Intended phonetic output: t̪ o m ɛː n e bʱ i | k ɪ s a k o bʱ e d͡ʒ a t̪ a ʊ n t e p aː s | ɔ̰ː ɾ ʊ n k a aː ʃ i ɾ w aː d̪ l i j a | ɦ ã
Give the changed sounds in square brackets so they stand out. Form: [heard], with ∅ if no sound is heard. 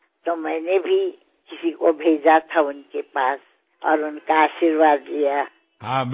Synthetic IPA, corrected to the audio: t̪ o m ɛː n e bʱ i | k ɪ s [i] k o bʱ e d͡ʒ a [t̪ʰ] a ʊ n [k] e p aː s | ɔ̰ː ɾ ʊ n k a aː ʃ i ɾ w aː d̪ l i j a | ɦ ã